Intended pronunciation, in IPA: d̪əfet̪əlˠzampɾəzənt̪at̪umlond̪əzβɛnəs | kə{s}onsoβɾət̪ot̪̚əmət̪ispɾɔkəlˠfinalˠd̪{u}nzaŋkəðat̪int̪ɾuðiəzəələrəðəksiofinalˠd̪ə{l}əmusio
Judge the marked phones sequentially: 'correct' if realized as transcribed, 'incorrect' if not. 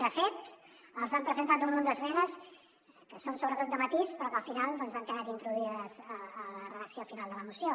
correct, incorrect, correct

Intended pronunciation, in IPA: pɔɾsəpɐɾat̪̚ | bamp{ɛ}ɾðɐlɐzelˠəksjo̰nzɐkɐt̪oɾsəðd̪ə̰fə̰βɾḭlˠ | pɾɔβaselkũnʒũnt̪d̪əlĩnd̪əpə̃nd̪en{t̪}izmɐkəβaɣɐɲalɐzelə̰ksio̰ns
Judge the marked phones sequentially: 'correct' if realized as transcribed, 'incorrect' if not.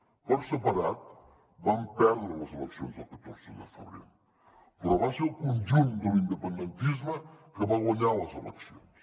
correct, correct

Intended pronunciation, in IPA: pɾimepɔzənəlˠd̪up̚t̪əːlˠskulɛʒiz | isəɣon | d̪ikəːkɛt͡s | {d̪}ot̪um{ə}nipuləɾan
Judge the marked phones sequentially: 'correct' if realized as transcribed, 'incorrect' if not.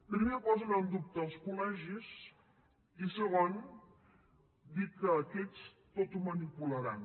incorrect, correct

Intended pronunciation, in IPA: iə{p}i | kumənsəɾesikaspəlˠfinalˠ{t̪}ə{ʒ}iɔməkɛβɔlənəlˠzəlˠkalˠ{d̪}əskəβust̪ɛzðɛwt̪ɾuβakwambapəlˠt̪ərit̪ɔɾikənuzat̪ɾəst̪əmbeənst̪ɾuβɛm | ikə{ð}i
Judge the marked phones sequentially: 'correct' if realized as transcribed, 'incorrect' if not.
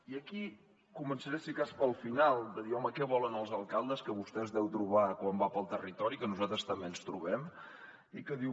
incorrect, incorrect, incorrect, correct, correct

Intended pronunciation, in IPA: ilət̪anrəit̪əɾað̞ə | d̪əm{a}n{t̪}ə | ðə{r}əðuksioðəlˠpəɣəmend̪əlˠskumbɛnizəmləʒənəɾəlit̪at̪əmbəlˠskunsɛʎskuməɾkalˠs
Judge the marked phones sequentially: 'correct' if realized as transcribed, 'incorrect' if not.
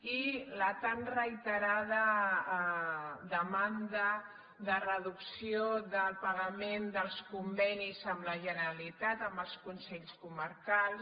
correct, incorrect, correct

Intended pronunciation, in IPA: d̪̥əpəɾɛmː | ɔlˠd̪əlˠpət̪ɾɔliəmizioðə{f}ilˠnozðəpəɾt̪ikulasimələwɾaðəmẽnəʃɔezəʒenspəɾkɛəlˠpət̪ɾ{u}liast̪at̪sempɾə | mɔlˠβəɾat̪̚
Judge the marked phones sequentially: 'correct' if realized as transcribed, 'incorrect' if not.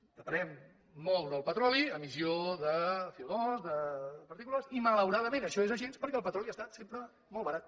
correct, incorrect

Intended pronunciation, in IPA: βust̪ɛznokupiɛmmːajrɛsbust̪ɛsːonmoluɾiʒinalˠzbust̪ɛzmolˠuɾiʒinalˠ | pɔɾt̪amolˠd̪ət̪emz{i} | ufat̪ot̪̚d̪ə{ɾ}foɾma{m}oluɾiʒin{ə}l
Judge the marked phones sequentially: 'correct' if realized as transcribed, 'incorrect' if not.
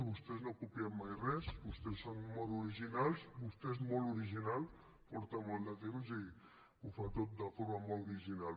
correct, incorrect, correct, incorrect

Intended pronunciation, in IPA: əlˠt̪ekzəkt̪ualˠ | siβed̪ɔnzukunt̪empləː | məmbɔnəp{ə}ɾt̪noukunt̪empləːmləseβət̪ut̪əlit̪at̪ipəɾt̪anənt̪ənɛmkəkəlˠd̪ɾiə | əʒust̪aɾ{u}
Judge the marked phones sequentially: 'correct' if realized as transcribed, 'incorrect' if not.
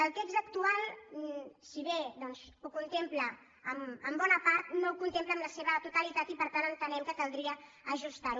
incorrect, correct

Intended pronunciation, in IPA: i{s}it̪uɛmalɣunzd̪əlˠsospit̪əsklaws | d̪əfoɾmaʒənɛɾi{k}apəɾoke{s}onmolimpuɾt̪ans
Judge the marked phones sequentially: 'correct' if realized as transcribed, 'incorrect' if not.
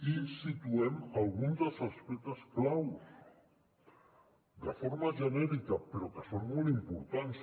correct, correct, correct

